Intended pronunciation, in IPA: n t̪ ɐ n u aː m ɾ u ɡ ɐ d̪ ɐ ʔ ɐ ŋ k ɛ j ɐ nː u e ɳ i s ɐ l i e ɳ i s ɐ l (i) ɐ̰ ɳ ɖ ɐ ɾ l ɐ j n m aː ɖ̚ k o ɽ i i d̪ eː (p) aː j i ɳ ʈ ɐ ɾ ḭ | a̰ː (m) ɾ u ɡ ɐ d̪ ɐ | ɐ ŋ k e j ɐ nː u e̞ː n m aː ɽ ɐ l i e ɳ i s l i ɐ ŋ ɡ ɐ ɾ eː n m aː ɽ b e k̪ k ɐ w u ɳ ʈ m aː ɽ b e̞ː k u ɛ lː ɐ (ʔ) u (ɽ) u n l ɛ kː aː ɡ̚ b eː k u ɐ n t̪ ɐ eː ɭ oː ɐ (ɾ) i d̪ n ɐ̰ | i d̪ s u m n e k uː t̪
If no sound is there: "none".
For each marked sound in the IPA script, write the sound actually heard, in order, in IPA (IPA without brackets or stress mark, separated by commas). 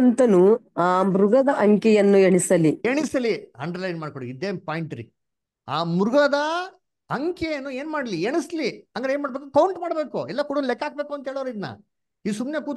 i, p, m, k, ɽ, ɾ